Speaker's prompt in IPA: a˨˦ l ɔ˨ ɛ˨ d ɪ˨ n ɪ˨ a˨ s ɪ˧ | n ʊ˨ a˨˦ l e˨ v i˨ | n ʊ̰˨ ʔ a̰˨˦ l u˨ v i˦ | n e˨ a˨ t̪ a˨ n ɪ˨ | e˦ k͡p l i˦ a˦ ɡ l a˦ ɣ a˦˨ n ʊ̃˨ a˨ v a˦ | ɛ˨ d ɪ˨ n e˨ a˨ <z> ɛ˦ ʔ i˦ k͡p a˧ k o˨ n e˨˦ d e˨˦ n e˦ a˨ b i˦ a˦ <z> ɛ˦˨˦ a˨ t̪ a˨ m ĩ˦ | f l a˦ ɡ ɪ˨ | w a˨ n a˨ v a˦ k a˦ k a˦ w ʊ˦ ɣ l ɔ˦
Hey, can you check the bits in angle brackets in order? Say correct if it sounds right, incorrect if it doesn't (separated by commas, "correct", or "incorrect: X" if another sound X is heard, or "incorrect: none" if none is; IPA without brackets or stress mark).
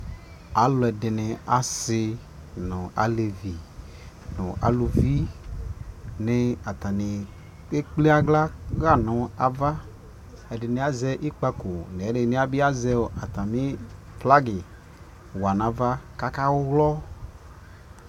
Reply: correct, correct